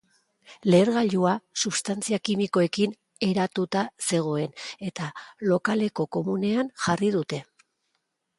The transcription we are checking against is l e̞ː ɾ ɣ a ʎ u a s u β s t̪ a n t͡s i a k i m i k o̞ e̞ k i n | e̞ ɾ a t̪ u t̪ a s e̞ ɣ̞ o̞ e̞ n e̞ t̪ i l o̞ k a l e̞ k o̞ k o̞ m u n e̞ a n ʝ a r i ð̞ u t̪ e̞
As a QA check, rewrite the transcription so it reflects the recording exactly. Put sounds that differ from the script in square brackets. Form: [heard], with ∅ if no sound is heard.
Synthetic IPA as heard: l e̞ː ɾ ɣ a ʎ u a s u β s t̪ a n t͡s i a k i m i k o̞ e̞ k i n | e̞ ɾ a t̪ u t̪ a s e̞ ɣ̞ o̞ e̞ n e̞ t̪ [a] l o̞ k a l e̞ k o̞ k o̞ m u n e̞ a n ʝ a r i ð̞ u t̪ e̞